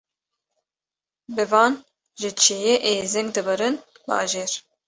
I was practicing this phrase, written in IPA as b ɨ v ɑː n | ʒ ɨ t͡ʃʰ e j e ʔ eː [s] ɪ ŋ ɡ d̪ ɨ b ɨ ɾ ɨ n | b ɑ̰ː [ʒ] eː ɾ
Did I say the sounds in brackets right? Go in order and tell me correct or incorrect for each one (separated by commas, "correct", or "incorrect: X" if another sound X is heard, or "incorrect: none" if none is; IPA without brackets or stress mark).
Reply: incorrect: z, correct